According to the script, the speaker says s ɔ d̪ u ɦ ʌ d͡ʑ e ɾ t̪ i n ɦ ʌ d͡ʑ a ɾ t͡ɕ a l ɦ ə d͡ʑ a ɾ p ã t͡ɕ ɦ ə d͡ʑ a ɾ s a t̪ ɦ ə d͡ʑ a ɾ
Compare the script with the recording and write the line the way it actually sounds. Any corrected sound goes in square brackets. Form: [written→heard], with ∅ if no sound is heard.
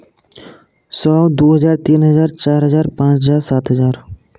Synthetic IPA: s ɔ d̪ u ɦ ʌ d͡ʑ [e→a] ɾ t̪ i n ɦ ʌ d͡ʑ a ɾ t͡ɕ a [l→ɾ] ɦ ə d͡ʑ a ɾ p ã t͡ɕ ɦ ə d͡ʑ a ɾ s a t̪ ɦ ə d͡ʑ a ɾ